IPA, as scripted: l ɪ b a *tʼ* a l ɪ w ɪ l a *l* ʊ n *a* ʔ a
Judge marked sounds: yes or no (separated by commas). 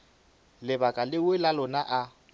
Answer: no, yes, yes